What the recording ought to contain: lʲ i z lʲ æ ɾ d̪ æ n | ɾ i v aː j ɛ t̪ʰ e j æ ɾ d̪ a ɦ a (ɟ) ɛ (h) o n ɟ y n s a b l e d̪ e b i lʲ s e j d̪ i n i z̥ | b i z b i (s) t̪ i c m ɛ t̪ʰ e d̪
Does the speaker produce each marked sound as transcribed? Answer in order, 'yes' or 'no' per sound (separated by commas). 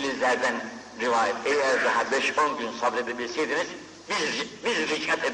no, no, no